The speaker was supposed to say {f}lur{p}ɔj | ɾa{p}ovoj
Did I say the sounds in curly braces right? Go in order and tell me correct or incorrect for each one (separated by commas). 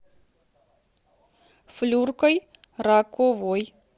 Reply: correct, incorrect, incorrect